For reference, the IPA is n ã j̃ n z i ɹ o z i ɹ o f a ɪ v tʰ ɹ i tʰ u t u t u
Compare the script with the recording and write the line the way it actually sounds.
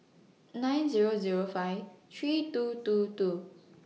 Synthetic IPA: n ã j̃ n z i ɹ o z i ɹ o f a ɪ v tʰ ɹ i t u t u t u